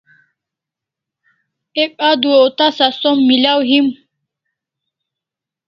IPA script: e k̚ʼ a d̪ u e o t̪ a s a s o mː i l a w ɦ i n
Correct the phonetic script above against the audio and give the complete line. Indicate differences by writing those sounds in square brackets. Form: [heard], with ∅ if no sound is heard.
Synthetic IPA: e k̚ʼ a d̪ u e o t̪ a s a s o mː i l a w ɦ i [m]